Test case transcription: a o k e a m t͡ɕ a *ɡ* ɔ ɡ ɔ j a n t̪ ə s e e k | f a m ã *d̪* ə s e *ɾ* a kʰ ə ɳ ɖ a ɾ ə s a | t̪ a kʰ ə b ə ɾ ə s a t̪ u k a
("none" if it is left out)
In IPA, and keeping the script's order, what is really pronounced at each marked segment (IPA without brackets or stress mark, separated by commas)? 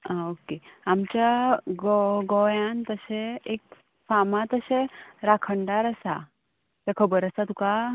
ɡ, t̪, ɾ